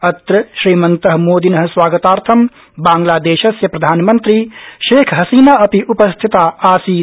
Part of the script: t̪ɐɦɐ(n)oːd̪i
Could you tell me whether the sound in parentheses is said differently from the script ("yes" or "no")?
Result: yes